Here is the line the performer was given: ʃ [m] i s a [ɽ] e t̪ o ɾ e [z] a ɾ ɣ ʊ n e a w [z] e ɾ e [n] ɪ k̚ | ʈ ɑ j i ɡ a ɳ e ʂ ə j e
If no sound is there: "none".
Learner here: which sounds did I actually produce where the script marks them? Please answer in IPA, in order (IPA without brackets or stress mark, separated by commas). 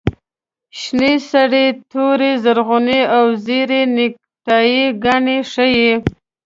n, ɽ, z, z, n